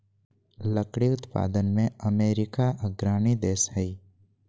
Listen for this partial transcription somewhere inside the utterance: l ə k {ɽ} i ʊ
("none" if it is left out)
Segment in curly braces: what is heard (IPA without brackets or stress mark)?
ɽ